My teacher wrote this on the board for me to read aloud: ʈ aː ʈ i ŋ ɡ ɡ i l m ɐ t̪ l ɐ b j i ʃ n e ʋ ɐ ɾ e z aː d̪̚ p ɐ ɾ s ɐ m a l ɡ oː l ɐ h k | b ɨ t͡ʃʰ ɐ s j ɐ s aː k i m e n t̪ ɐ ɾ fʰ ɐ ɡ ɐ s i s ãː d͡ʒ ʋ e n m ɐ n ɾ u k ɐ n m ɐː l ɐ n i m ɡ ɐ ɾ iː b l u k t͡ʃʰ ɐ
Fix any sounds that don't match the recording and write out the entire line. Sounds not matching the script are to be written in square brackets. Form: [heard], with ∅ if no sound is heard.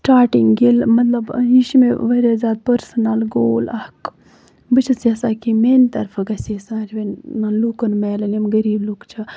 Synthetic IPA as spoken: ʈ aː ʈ i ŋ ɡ ɡ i l m ɐ t̪ l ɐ b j i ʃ [m] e ʋ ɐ ɾ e z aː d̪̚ p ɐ ɾ s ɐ [n] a l ɡ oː l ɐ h k | b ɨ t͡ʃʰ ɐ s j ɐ s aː k i m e n t̪ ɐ ɾ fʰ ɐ ɡ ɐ s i s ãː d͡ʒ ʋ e n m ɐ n [l] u k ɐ n m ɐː l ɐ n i m ɡ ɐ ɾ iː b l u k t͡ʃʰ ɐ